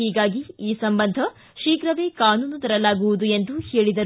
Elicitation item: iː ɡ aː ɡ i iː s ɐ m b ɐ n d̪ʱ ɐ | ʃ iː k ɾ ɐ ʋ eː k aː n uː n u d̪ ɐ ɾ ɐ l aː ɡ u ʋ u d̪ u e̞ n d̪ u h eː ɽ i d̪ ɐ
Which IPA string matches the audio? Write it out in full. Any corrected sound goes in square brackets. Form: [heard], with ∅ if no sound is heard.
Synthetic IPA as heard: iː ɡ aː ɡ i iː s ɐ m b ɐ n d̪ʱ ɐ | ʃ iː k ɾ ɐ ʋ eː k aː n uː n u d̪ ɐ ɾ ɐ l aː ɡ u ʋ u d̪ u e̞ n d̪ u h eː [ɭ] i d̪ ɐ